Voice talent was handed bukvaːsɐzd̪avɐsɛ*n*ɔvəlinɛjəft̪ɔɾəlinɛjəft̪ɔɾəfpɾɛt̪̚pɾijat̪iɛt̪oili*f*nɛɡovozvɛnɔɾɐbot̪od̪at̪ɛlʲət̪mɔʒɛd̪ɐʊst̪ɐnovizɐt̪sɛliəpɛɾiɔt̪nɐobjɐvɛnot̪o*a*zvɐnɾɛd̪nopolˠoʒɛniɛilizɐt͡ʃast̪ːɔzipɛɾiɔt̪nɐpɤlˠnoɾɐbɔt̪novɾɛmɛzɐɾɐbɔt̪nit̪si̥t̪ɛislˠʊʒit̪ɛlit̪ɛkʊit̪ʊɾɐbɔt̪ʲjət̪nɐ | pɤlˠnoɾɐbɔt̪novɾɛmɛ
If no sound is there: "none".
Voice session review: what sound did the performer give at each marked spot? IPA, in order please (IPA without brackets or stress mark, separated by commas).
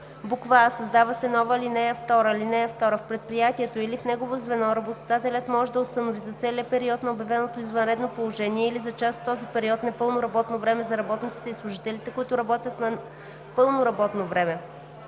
n, f, i